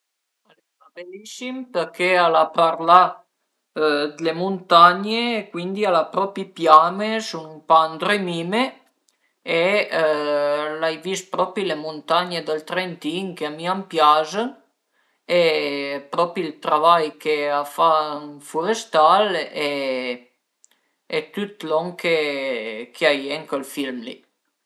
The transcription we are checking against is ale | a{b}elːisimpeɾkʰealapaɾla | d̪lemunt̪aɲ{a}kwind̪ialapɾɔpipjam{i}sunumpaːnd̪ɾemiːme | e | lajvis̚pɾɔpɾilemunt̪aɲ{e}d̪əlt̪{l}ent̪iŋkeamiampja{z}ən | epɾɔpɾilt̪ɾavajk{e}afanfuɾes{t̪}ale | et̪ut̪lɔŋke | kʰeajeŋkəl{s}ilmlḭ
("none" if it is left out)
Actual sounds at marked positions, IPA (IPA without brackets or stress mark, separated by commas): b, e, e, e, ɾ, z, e, t̪, f